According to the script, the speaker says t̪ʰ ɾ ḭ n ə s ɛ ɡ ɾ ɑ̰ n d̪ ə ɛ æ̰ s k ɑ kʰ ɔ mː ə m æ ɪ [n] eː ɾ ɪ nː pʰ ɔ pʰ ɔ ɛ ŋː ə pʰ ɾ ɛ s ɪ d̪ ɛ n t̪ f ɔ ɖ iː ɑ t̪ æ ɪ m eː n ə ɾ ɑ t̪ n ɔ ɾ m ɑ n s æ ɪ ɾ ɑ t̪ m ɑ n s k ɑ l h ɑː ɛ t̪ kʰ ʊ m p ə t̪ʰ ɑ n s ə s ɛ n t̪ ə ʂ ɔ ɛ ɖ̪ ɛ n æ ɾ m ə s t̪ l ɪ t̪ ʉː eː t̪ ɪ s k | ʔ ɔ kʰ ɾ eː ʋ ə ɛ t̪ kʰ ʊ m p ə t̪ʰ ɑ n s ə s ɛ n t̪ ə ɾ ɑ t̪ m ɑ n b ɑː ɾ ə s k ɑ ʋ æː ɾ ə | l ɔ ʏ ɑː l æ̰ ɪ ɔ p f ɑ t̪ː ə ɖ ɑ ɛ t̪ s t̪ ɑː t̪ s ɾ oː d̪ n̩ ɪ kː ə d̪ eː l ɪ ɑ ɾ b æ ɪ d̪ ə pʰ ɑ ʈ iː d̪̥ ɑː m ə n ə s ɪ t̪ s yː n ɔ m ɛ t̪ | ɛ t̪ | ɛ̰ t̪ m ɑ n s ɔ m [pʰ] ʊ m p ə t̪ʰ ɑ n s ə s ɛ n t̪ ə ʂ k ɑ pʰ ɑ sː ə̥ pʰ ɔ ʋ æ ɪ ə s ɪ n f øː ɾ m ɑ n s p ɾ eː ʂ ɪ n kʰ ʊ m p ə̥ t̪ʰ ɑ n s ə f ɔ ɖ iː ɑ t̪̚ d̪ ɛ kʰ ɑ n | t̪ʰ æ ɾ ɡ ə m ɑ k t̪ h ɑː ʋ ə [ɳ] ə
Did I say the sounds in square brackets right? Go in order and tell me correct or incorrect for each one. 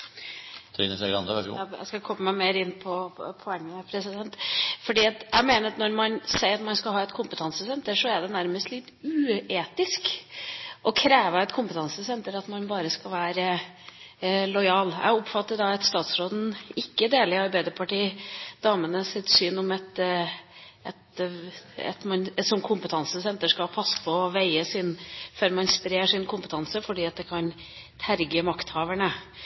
incorrect: m, incorrect: kʰ, correct

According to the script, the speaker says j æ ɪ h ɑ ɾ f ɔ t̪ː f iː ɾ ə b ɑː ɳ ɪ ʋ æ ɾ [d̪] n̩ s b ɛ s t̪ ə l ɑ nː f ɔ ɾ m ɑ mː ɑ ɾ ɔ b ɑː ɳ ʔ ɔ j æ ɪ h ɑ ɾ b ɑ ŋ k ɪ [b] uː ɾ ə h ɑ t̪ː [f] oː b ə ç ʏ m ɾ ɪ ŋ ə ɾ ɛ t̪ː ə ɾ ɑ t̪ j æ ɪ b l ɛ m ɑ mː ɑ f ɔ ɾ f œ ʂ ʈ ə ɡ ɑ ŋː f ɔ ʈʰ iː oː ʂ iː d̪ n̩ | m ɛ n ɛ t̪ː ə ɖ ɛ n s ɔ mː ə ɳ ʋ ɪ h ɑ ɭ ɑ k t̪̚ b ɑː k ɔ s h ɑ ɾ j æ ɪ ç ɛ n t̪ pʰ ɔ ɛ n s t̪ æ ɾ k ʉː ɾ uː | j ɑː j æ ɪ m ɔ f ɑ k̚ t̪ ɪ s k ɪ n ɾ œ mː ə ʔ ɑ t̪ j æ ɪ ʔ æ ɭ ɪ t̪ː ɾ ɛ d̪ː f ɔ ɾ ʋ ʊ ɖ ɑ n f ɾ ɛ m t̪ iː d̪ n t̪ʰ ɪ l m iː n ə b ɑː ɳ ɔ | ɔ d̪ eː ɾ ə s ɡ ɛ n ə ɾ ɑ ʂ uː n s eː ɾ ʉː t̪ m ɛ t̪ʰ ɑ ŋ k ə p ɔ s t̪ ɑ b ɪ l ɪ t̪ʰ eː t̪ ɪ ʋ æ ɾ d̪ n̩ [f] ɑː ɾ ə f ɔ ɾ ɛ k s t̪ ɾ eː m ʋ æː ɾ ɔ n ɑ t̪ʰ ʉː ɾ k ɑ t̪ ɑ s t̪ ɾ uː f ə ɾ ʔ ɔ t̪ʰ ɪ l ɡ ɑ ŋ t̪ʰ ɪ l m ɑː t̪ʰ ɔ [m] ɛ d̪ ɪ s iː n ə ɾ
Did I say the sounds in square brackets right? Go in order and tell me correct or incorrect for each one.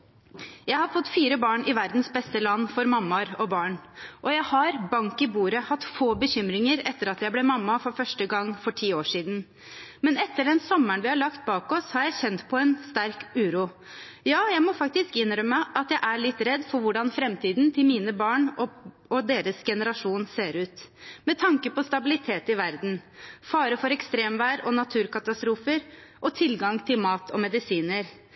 correct, correct, correct, correct, correct

